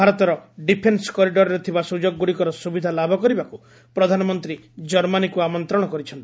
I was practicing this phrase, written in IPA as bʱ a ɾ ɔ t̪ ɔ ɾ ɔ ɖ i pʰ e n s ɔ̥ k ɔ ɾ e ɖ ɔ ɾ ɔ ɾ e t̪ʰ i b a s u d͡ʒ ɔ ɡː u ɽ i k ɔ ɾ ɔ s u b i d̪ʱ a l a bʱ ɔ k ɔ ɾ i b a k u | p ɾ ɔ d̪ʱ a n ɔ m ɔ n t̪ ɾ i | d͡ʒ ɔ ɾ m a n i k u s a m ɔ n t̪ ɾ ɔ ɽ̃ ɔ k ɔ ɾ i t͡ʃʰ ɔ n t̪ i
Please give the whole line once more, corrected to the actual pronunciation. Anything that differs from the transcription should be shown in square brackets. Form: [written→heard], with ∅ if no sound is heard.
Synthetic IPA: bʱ a ɾ ɔ t̪ ɔ ɾ ɔ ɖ i pʰ e n s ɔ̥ k ɔ ɾ [e→i] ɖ ɔ ɾ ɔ ɾ e t̪ʰ i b a s u d͡ʒ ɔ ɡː u ɽ i k ɔ ɾ ɔ s u b i d̪ʱ a l a bʱ ɔ k ɔ ɾ i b a k u | p ɾ ɔ d̪ʱ a n ɔ m ɔ n t̪ ɾ i | d͡ʒ ɔ ɾ m a n i k u [s→∅] a m ɔ n t̪ ɾ ɔ ɽ̃ ɔ k ɔ ɾ i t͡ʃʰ ɔ n t̪ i